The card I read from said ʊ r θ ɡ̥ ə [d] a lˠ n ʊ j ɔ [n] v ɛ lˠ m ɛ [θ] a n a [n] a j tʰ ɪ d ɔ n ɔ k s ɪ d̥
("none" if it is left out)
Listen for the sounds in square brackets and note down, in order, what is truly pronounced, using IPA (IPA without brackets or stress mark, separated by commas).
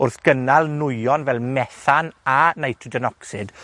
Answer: n, n, θ, n